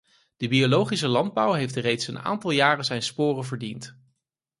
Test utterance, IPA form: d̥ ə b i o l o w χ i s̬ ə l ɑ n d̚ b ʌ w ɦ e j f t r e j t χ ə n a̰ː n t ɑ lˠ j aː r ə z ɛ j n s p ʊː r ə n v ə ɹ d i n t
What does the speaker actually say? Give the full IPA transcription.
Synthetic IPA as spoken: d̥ ə b i o l o w χ i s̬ ə l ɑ n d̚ b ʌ w ɦ e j f t r e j t s ə n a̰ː n t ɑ lˠ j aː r ə z ɛ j n s p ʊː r ə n v ə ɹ d i n t